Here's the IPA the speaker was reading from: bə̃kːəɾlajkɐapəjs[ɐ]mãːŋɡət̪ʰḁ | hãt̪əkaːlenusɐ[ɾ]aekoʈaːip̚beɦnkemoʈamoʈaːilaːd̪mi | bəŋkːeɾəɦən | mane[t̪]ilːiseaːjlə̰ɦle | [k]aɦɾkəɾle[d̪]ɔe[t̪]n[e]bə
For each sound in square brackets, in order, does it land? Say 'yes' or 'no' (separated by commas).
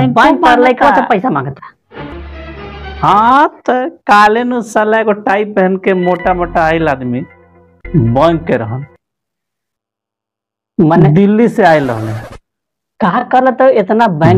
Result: no, no, no, yes, no, yes, no